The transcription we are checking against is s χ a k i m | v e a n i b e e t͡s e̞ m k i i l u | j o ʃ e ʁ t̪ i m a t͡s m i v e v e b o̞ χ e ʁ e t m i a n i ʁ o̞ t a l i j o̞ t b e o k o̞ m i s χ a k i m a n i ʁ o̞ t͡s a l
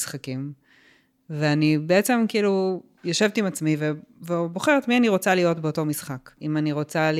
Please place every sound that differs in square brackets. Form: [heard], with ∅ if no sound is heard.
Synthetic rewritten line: s χ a k i m | v e a n i b e e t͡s e̞ m k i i l u | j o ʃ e [v] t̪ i m a t͡s m i v e v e b o̞ χ e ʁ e t m i a n i ʁ o̞ [t͡s] a l i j o̞ t b e o [t] o̞ m i s χ a k i m a n i ʁ o̞ t͡s a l